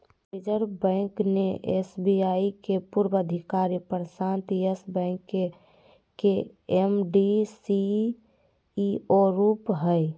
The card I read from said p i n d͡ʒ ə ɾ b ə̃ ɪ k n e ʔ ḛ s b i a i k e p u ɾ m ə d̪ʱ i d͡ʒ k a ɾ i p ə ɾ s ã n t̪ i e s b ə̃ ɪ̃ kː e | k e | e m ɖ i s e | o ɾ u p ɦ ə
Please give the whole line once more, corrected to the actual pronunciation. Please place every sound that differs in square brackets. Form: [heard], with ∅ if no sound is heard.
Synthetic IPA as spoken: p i [∅] d͡ʒ ə ɾ b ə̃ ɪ k n e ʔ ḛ s b i a i k e p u ɾ [b] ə d̪ʱ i [∅] k a ɾ i p ə ɾ s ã n t̪ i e s b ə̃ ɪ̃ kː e | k e | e m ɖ i s [i] | o ɾ u p ɦ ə